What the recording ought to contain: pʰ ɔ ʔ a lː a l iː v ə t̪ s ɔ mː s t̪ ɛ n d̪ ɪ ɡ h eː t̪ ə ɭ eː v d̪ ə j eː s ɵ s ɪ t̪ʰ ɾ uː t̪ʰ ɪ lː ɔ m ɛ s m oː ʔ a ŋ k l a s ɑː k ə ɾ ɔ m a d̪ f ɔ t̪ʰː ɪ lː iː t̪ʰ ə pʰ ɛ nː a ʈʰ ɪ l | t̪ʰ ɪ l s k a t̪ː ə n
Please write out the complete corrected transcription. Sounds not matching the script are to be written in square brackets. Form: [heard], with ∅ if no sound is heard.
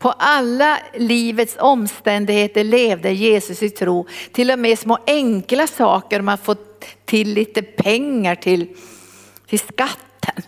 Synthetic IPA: pʰ ɔ ʔ a lː a l iː v ə t̪ s ɔ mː s t̪ ɛ n d̪ ɪ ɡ h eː t̪ ə ɭ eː v d̪ ə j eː s ɵ s ɪ t̪ʰ ɾ uː t̪ʰ ɪ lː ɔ m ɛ s m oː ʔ [ɛ] ŋ k l a s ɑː k ə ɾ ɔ m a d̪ f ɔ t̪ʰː ɪ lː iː [t̪] ə pʰ ɛ [ŋː] a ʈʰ ɪ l | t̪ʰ ɪ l s k a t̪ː ə n